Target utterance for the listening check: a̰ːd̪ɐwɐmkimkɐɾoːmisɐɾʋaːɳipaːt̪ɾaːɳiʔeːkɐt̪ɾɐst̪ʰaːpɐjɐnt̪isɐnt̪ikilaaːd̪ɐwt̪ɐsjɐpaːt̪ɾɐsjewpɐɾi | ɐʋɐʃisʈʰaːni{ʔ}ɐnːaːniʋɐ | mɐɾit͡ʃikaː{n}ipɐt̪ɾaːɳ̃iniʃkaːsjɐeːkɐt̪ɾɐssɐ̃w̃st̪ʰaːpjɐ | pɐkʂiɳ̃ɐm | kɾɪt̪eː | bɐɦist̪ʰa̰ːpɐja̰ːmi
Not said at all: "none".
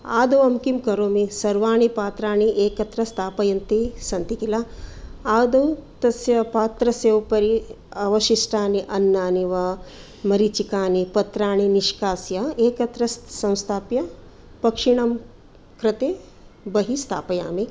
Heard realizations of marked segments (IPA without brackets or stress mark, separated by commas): ʔ, n